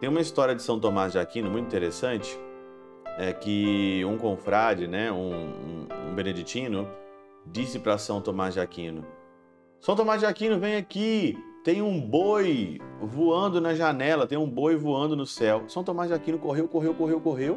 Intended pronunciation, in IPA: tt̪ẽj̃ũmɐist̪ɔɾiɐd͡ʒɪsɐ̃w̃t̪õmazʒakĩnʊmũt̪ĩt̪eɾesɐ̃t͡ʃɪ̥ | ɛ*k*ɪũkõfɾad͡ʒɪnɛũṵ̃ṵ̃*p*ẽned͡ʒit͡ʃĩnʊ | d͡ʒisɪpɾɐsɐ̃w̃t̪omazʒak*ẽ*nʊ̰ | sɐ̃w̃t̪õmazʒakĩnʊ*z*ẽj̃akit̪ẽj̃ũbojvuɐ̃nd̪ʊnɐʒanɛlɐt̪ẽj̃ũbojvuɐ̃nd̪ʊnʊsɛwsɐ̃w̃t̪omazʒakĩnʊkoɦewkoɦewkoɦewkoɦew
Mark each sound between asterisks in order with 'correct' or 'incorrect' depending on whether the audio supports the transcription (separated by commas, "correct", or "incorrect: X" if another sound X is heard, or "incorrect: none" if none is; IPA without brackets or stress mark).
correct, incorrect: b, incorrect: ĩ, incorrect: v